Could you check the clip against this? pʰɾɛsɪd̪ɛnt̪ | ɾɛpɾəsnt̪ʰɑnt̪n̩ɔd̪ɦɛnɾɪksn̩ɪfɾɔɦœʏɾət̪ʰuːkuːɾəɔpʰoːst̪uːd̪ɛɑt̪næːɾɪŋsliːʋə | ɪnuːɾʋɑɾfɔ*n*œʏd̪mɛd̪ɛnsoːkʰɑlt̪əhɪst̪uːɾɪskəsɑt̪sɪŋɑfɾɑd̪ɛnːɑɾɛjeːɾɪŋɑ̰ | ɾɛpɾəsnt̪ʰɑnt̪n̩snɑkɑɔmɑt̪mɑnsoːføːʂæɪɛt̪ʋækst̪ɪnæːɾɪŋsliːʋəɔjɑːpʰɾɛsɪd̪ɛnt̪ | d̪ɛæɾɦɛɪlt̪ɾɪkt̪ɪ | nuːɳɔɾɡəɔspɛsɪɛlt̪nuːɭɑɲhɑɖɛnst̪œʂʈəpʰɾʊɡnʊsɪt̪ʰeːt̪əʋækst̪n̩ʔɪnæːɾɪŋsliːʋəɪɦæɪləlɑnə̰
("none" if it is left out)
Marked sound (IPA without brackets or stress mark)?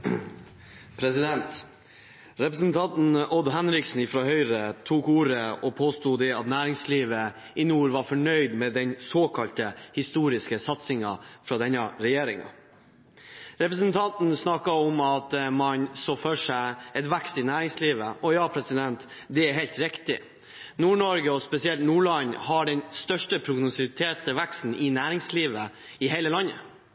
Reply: ɳ